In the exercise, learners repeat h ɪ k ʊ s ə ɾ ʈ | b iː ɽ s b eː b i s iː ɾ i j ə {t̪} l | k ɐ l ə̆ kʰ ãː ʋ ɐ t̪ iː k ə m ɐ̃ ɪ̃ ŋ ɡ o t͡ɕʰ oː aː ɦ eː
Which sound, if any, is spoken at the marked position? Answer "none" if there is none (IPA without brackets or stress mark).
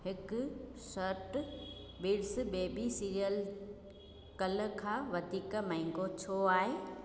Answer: none